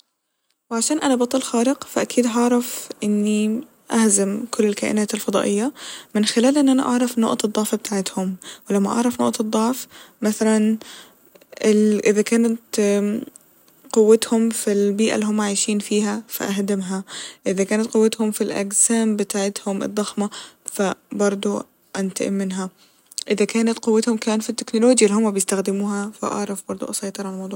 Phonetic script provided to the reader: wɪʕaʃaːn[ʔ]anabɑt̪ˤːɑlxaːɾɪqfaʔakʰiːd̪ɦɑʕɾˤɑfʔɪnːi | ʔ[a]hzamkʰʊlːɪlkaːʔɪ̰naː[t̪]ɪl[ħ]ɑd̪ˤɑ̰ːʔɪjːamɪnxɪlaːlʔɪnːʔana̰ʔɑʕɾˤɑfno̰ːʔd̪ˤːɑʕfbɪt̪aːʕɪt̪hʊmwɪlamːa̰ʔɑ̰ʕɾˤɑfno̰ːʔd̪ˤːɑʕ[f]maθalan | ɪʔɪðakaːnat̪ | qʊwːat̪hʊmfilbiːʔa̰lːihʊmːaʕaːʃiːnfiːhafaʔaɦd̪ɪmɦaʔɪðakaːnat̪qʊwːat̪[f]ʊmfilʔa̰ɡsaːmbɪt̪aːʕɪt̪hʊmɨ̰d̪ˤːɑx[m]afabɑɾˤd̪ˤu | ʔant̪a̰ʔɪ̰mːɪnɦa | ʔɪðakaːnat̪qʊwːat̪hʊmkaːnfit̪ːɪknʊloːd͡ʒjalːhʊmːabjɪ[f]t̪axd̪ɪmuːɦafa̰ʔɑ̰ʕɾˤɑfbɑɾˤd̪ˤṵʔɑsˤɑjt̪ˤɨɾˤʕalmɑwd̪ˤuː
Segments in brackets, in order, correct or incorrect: correct, correct, correct, incorrect, correct, incorrect, correct, incorrect

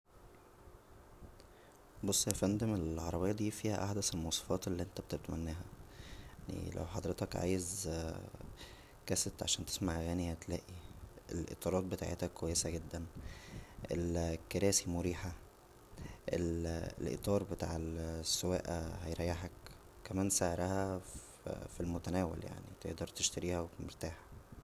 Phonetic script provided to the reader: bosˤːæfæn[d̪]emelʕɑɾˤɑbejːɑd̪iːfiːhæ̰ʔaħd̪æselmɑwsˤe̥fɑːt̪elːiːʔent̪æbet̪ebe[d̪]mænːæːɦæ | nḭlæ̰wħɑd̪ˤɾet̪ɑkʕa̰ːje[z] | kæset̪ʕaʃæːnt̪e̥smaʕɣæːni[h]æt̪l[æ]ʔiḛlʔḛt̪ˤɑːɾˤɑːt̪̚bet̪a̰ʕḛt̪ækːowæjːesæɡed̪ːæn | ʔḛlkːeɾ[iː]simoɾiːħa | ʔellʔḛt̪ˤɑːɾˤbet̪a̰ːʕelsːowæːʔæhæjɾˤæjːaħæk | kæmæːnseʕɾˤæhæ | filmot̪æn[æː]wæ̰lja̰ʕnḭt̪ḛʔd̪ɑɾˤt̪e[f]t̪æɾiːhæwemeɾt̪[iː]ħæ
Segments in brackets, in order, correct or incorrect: correct, incorrect, correct, correct, incorrect, incorrect, correct, incorrect, incorrect

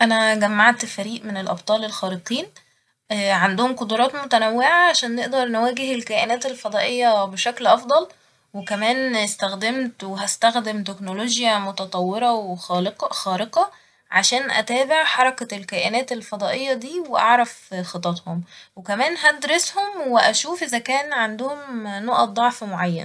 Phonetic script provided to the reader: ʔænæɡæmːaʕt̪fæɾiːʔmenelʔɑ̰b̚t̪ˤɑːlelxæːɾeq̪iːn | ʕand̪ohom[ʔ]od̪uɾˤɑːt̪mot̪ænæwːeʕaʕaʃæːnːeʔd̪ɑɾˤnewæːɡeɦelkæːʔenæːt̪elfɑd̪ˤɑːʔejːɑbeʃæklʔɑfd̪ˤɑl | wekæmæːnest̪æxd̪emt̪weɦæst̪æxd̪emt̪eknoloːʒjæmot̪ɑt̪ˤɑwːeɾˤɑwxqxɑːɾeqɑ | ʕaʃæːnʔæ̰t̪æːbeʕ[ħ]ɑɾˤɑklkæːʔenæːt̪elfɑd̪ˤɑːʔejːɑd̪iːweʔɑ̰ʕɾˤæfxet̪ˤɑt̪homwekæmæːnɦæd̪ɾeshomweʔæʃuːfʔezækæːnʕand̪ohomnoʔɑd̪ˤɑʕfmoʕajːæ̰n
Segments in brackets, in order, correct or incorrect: incorrect, correct

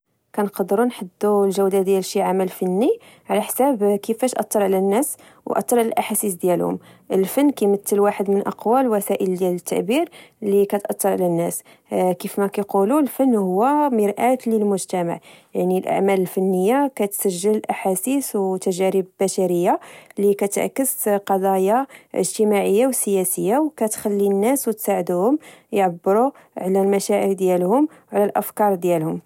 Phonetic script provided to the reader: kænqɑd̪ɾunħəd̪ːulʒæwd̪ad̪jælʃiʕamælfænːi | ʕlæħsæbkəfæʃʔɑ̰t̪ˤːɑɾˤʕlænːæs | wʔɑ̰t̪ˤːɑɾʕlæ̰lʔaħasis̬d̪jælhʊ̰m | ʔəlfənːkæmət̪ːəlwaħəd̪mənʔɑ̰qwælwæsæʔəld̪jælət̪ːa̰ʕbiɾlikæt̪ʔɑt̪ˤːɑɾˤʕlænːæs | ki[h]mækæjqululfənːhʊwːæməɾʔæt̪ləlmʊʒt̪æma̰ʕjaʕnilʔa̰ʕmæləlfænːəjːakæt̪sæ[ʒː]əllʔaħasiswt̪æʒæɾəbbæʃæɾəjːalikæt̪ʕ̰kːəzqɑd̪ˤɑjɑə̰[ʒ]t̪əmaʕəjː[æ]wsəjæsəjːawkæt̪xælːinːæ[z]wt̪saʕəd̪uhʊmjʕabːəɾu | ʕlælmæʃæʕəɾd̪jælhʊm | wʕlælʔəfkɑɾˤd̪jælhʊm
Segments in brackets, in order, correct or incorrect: incorrect, correct, correct, incorrect, incorrect

